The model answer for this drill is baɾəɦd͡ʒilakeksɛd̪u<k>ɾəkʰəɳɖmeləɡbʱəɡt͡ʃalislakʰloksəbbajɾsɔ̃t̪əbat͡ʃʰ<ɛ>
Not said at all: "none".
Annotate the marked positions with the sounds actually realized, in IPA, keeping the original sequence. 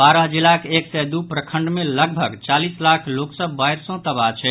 p, ɛ

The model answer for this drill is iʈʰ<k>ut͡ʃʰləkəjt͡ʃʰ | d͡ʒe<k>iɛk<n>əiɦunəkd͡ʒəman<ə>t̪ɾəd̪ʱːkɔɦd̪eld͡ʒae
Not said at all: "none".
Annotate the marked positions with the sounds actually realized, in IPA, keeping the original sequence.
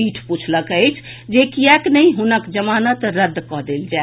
p, k, n, ə

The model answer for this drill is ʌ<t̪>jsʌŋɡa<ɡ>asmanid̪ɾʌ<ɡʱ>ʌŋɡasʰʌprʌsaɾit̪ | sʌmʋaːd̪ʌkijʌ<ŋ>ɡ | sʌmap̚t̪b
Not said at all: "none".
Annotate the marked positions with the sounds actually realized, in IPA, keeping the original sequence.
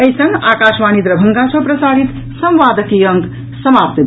none, k, bʱ, ŋ

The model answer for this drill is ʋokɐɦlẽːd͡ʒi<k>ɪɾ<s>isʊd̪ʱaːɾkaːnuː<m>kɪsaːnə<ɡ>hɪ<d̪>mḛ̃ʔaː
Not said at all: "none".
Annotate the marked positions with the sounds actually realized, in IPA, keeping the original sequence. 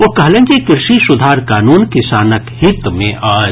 k, ʃ, n, k, t̪

